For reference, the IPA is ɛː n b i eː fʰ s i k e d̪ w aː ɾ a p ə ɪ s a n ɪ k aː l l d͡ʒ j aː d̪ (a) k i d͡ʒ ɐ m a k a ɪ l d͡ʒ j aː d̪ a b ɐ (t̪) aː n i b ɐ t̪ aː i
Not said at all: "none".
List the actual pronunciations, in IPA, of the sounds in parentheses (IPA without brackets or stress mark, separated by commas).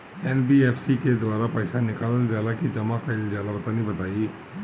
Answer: a, t̪